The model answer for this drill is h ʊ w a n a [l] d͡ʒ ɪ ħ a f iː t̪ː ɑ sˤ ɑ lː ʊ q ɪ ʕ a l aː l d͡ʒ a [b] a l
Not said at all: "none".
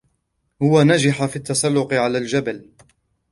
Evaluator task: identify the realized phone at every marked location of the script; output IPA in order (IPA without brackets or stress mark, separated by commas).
none, b